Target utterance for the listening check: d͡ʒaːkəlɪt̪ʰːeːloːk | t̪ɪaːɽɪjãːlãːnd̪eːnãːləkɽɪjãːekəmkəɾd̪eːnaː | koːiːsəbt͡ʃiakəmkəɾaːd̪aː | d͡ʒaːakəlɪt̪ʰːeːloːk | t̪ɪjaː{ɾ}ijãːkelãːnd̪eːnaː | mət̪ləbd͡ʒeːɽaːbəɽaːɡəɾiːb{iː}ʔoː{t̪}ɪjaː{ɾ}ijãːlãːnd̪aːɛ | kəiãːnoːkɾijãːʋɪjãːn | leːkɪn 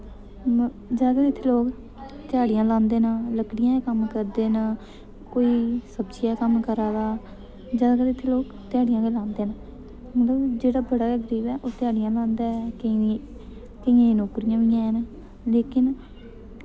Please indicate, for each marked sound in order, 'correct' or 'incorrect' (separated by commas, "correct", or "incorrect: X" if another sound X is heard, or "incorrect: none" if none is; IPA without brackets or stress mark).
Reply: incorrect: ɽ, incorrect: ɛː, correct, incorrect: ɽ